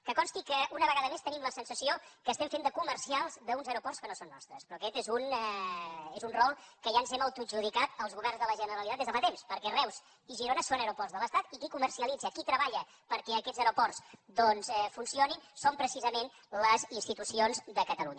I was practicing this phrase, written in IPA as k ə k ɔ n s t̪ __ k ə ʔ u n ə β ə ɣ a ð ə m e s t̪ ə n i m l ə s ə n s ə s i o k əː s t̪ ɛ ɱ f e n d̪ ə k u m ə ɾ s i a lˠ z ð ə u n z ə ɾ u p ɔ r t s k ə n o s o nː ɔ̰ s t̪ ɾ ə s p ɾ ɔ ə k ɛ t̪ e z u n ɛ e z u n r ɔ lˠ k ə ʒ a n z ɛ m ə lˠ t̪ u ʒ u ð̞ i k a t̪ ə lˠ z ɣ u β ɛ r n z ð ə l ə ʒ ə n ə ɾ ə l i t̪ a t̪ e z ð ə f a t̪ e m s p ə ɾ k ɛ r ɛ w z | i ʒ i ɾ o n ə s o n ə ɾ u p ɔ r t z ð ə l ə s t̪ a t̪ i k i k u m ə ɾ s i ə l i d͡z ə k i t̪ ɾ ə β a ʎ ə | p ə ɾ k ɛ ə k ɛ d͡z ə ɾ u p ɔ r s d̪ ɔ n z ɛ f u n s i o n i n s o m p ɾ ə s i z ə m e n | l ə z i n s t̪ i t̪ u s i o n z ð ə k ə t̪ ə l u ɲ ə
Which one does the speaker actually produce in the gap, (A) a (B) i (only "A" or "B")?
B